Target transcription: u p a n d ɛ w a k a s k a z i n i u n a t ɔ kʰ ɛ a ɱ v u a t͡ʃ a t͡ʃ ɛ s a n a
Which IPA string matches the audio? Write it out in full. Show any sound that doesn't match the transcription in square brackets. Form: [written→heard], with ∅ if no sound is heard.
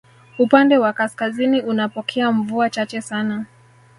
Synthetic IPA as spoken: u p a n d ɛ w a k a s k a z i n i u n a [t→p] ɔ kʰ ɛ a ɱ v u a t͡ʃ a t͡ʃ ɛ s a n a